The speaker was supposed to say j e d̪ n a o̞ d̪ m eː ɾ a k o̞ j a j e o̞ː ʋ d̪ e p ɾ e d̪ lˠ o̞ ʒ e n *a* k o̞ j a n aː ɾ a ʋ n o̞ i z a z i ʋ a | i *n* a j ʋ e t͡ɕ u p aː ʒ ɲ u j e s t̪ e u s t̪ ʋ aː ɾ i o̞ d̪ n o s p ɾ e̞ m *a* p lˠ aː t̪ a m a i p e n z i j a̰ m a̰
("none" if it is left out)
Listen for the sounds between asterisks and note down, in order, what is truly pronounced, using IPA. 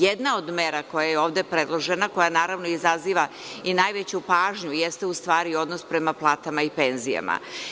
a, n, a

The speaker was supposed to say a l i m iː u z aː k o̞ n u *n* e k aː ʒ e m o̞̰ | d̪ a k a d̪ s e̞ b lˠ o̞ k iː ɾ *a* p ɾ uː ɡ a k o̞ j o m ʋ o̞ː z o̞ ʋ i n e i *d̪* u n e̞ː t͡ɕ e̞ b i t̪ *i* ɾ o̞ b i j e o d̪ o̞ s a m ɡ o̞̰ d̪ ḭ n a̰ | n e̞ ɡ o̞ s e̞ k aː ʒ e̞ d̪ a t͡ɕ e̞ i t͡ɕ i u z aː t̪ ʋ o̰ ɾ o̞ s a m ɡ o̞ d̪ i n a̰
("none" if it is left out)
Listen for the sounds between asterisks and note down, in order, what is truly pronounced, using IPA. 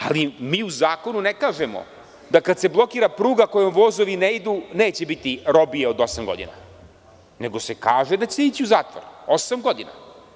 n, a, d̪, i

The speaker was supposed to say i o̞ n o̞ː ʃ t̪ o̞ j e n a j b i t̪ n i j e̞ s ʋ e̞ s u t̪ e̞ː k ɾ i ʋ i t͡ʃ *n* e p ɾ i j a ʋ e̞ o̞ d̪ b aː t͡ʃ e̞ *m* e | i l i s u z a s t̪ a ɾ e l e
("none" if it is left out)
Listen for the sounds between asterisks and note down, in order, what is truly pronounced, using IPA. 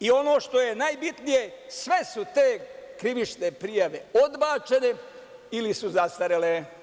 n, n

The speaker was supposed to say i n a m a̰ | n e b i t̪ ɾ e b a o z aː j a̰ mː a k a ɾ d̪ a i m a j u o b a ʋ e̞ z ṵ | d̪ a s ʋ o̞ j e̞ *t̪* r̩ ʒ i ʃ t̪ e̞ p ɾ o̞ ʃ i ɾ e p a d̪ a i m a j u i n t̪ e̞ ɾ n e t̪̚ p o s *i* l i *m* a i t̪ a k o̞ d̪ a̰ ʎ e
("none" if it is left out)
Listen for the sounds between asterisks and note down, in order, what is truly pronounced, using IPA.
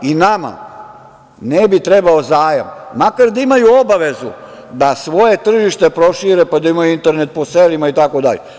t̪, e, m

